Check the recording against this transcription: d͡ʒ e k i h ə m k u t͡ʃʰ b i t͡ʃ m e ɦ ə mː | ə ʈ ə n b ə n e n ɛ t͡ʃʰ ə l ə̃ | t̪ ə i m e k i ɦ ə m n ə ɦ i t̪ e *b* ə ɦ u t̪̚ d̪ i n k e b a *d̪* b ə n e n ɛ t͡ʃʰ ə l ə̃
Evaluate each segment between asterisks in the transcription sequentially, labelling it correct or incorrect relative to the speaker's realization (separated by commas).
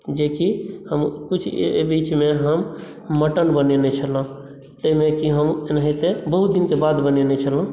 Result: correct, correct